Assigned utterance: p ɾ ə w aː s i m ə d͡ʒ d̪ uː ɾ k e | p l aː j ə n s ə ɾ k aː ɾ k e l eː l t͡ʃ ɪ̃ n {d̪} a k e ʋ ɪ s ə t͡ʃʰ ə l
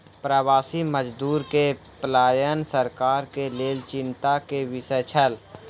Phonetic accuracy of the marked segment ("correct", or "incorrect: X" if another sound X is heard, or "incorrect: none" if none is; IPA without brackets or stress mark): incorrect: t̪